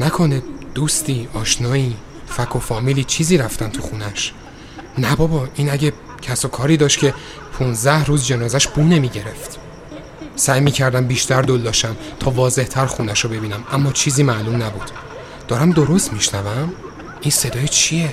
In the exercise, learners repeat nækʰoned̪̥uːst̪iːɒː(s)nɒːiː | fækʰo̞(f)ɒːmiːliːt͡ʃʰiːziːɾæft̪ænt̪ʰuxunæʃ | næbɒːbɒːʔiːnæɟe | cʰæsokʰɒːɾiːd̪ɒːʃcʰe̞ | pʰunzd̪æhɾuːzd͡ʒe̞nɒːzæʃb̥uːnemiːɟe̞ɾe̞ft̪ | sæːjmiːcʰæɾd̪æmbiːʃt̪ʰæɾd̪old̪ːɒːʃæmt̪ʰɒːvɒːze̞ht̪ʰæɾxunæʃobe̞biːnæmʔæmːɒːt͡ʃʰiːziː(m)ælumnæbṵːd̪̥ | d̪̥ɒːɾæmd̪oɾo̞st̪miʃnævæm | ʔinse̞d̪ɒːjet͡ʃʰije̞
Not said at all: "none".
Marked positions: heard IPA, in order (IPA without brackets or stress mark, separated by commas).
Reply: ʃ, f, m